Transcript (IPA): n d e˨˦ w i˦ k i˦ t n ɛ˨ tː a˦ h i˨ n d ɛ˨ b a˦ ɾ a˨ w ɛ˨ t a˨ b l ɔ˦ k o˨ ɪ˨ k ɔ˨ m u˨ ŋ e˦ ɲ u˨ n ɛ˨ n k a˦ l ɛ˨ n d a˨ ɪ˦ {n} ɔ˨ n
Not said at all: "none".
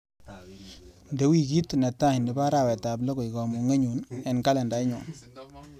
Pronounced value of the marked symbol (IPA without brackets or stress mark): ɲ